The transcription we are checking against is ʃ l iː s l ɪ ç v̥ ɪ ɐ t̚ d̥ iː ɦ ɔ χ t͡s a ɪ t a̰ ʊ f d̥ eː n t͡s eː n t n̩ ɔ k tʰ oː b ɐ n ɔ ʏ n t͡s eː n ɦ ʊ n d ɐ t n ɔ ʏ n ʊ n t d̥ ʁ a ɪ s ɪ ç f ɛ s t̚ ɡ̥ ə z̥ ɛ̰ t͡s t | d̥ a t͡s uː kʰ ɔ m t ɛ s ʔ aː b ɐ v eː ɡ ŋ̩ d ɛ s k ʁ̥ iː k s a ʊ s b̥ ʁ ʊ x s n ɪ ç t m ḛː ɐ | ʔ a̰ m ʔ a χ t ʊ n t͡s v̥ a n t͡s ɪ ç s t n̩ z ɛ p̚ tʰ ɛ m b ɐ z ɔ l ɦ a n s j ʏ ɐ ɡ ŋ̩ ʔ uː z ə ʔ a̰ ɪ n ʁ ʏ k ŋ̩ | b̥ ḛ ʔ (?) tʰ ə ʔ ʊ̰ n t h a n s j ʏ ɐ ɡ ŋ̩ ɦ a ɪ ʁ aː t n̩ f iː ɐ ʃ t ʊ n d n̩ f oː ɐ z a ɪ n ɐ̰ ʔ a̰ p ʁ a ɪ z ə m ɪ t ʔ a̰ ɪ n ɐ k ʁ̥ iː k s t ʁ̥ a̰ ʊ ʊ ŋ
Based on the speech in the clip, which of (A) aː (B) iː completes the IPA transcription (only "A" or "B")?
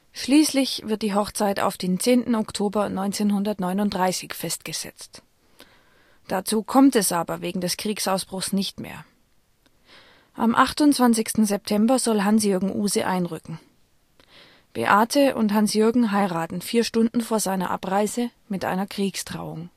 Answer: A